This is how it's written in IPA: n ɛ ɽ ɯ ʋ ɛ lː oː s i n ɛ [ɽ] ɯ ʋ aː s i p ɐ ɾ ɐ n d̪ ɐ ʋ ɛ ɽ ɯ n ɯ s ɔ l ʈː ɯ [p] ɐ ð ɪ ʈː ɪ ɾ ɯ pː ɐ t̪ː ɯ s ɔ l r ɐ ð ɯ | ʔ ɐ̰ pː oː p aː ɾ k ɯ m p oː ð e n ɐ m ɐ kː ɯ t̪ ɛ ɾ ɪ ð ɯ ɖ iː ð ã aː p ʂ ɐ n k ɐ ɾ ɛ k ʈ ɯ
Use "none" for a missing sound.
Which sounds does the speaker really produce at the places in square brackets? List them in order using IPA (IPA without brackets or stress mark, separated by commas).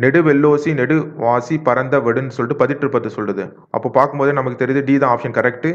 ɽ, p